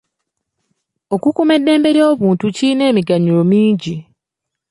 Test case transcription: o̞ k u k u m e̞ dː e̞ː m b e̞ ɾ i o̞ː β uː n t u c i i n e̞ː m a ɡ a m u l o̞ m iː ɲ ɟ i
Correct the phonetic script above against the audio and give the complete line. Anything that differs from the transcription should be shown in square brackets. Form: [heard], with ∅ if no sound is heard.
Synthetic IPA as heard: o̞ k u k u m e̞ dː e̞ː m b e̞ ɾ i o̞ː β uː n t u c i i n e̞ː m [i] ɡ a [ɲ] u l o̞ m iː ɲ ɟ i